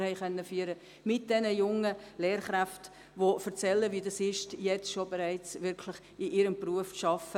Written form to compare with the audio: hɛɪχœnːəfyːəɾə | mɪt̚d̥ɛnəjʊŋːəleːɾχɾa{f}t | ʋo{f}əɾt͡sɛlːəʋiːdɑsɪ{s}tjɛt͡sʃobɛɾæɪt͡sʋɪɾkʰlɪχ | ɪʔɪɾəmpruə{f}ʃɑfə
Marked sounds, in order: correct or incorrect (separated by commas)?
correct, correct, incorrect, correct